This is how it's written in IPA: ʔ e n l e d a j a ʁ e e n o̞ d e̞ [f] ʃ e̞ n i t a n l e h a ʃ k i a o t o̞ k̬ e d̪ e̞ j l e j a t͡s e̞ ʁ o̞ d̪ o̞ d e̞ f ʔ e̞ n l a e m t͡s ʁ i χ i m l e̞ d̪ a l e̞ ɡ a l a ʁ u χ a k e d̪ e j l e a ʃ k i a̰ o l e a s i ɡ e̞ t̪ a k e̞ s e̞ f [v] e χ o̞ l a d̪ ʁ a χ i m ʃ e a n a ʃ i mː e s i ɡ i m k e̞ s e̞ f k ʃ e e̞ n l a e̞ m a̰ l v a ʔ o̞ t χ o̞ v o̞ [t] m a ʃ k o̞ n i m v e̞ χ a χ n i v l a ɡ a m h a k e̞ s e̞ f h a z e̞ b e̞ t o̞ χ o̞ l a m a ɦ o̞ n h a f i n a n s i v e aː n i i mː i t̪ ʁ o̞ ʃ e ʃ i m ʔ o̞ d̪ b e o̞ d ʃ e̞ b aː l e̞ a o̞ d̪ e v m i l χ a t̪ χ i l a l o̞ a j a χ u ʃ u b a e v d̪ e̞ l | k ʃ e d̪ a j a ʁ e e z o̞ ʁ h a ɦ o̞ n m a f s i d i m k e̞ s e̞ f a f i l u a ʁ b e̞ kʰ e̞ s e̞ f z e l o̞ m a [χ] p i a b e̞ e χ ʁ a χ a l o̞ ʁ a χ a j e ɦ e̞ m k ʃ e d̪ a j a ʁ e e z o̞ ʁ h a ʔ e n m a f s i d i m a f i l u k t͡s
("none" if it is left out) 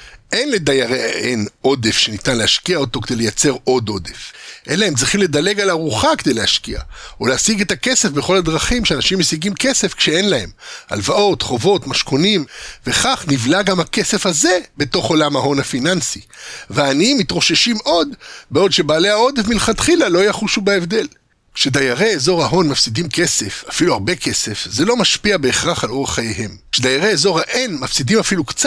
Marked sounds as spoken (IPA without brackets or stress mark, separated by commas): f, b, t, ʃ